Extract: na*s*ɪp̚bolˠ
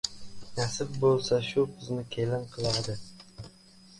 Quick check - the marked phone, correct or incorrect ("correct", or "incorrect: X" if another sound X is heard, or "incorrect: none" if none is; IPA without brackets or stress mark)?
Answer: correct